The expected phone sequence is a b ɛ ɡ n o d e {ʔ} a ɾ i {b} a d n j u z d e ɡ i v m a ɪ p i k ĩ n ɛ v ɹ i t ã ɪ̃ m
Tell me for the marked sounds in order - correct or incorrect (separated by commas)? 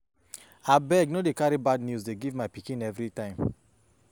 incorrect, correct